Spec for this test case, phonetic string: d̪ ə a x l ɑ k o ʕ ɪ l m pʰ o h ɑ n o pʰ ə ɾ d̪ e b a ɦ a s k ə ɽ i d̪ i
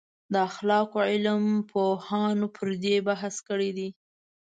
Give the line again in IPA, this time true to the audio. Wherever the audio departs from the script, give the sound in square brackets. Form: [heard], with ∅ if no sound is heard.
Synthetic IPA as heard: d̪ ə a x l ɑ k o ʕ ɪ l m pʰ o h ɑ n o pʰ ə ɾ d̪ e b a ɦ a s k ə ɽ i d̪ i